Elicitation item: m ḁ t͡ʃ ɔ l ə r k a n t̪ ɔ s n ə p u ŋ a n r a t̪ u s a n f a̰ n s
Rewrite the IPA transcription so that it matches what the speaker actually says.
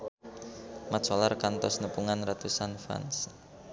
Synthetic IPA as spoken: m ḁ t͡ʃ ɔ l a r k a n t̪ ɔ s n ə p u ŋ a n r a t̪ u s a n f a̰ n s